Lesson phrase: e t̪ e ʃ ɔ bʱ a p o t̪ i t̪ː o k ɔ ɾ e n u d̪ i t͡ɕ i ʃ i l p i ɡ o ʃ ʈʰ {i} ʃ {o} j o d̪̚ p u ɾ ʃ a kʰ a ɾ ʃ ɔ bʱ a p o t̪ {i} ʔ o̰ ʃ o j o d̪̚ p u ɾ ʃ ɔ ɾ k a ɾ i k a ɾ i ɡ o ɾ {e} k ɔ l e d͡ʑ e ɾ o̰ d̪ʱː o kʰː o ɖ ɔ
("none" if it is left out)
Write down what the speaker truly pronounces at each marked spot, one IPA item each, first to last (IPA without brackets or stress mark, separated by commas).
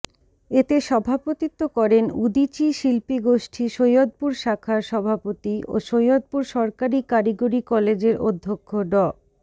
i, o, i, i